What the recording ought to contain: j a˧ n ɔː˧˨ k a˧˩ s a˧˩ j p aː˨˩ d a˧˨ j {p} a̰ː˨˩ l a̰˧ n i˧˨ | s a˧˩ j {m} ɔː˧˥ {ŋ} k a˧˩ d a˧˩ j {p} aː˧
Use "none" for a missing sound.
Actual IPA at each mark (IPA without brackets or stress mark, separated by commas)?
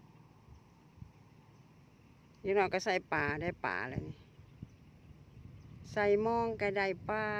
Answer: p, m, ŋ, p